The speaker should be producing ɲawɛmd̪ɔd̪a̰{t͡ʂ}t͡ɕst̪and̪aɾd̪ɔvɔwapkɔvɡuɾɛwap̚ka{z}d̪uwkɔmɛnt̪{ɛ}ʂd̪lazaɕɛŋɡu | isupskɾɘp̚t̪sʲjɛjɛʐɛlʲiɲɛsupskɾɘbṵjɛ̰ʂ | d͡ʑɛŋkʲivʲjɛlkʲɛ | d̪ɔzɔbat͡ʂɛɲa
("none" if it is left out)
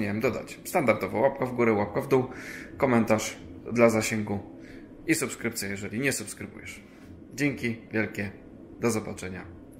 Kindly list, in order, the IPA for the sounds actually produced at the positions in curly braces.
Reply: none, v, a

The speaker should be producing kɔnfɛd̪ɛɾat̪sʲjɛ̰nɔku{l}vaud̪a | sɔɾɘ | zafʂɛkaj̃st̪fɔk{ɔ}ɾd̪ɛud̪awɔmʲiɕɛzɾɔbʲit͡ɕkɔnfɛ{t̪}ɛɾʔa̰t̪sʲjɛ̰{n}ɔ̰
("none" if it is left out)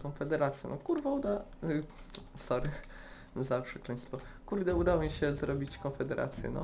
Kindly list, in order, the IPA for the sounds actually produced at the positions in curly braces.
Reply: ɾ, u, d̪, n

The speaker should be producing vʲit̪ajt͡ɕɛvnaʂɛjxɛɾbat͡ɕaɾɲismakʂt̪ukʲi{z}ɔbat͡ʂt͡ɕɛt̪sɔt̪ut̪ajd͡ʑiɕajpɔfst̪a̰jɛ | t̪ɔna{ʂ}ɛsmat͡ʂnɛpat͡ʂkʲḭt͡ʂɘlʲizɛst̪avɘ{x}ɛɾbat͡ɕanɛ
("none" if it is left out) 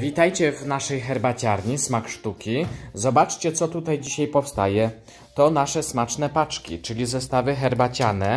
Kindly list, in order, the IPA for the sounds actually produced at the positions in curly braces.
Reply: z, ʂ, x

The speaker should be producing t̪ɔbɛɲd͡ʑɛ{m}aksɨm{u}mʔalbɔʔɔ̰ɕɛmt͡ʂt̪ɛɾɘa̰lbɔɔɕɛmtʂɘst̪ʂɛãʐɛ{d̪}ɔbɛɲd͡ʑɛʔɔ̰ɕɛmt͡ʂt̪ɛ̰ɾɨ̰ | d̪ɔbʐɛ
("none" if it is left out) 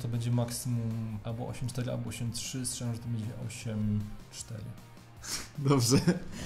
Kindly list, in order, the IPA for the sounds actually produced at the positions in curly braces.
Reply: m, u, t̪

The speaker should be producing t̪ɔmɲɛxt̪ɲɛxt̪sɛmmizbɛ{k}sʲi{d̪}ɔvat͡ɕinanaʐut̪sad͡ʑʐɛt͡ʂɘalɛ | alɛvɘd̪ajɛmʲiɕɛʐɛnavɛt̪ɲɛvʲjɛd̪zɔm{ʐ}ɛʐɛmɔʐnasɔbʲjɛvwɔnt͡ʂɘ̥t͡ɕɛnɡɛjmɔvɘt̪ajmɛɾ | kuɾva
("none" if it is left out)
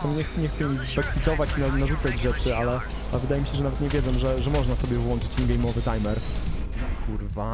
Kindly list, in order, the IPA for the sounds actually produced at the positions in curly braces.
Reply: k, t̪, ʐ

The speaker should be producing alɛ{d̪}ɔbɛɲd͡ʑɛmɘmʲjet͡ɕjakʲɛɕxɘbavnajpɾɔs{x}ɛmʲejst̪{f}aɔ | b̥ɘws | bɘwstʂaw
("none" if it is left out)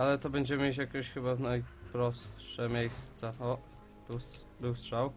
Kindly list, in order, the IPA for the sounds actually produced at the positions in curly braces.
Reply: t̪, ʂ, s

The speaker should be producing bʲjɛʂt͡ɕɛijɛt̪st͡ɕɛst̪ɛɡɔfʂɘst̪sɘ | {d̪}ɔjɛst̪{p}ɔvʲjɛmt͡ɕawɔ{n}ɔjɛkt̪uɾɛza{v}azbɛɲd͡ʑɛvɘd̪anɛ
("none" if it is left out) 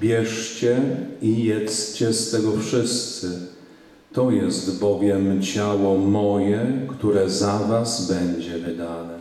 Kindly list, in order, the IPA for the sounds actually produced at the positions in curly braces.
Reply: t̪, b, m, v

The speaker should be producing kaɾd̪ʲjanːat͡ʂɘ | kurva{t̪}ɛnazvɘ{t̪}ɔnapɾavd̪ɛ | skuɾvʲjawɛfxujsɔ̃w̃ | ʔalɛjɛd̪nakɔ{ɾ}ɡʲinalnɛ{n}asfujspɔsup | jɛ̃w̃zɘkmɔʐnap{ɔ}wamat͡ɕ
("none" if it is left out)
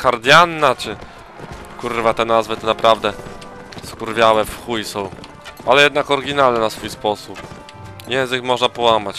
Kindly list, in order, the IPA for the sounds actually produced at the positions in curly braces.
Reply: t̪, t̪, ɾ, n, ɔ

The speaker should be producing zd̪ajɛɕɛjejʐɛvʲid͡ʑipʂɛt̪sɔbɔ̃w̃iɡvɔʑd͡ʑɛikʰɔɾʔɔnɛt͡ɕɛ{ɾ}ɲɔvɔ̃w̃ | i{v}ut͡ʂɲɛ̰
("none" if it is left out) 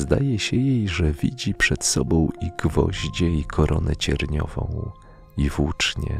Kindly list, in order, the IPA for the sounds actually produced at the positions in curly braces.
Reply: ɾ, v

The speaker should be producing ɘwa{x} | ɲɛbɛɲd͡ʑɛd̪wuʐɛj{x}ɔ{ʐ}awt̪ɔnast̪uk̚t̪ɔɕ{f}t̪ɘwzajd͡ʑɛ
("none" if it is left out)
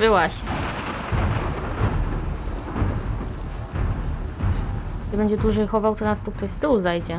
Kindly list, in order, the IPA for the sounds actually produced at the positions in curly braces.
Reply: ɕ, x, v, s

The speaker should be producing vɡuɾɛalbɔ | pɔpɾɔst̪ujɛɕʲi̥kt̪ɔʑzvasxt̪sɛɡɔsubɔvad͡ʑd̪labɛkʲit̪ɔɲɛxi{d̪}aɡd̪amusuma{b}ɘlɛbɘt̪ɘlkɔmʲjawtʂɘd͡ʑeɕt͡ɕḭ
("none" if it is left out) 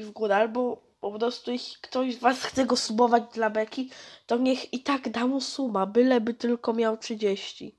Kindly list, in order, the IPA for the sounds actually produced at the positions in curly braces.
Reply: t̪, b

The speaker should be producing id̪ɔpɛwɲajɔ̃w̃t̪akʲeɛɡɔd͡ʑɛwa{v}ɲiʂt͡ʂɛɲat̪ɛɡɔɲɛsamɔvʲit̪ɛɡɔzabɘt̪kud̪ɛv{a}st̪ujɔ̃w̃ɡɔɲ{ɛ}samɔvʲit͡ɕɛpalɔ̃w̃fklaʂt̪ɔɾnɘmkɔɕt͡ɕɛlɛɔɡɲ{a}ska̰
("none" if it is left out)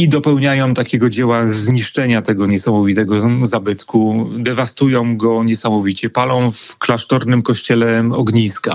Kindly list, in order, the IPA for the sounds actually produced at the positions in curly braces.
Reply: z, a, ɛ, i

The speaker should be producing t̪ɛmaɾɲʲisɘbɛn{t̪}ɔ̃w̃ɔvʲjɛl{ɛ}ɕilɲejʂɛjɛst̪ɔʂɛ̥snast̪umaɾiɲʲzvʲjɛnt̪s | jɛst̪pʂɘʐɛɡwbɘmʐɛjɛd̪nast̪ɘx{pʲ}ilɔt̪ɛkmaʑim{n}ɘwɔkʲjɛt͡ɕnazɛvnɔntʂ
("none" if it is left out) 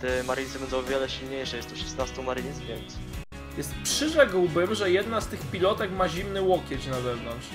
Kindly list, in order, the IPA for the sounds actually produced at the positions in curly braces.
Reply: d̪, ɛ, pʲ, n

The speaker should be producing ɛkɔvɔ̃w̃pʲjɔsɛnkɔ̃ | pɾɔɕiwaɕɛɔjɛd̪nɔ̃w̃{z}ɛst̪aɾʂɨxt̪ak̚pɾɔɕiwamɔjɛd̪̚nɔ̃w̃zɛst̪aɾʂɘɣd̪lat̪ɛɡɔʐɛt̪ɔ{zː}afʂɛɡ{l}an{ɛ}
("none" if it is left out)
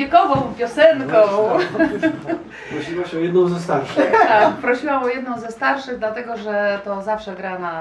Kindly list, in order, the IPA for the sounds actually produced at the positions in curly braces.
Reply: z, z, ɾ, a

